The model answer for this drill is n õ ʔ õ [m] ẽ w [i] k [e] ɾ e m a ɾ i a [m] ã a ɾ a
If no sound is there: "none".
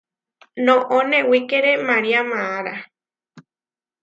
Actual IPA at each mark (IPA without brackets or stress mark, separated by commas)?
n, i, e, m